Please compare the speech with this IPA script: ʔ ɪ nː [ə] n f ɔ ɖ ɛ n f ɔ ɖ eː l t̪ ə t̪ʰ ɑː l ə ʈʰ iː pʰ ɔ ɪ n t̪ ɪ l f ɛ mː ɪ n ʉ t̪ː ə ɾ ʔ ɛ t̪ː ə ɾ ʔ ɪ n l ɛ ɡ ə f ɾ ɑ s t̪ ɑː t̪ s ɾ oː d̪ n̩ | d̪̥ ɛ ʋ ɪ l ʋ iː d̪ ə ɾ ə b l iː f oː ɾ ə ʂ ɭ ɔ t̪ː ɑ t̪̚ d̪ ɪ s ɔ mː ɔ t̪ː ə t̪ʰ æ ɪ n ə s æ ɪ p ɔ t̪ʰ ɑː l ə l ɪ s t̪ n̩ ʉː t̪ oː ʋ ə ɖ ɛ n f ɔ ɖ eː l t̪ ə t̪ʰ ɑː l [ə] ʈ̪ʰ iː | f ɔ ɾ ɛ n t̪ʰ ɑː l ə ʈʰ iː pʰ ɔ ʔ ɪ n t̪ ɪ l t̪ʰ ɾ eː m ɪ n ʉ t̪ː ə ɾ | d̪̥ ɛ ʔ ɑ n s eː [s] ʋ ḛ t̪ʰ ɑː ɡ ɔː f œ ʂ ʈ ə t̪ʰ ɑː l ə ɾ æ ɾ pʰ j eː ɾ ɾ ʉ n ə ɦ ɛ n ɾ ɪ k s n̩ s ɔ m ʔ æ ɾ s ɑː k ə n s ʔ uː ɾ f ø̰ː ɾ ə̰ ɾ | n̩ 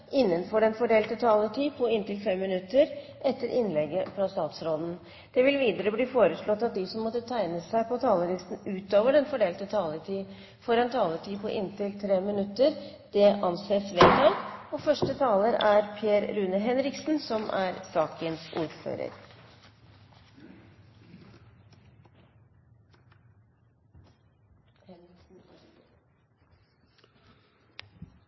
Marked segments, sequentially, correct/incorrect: correct, correct, correct

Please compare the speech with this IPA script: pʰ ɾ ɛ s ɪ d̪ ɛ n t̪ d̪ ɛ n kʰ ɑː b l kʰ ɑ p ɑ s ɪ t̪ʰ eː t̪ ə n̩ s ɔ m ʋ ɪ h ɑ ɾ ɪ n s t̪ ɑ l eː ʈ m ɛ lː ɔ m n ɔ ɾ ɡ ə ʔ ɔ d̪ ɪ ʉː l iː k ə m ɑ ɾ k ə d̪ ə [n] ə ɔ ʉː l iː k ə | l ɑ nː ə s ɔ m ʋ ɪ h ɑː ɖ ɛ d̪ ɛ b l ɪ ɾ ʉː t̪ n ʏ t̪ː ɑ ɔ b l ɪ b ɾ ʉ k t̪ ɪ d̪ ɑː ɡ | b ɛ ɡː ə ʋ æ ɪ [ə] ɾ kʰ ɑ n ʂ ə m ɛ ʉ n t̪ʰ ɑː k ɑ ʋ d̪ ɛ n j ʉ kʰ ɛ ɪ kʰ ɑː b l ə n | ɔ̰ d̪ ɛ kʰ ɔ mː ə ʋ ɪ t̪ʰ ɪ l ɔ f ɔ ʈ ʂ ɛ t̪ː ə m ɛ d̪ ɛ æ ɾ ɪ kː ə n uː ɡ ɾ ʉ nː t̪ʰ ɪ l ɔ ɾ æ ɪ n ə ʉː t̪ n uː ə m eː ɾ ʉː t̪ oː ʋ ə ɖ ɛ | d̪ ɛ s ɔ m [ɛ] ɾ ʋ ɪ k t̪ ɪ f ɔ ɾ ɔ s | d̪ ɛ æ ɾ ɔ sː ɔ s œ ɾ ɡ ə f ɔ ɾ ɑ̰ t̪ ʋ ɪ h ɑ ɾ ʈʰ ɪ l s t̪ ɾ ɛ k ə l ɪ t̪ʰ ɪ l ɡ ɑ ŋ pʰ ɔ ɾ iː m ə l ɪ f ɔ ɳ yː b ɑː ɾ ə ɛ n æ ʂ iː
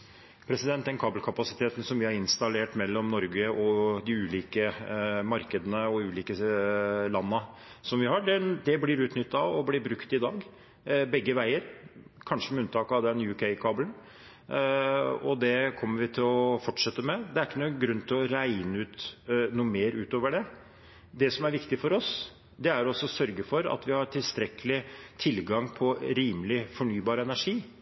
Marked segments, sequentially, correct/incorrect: correct, correct, incorrect: æ

